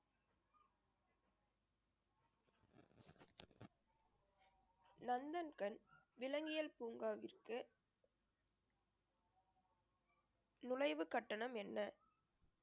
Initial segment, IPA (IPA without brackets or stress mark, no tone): n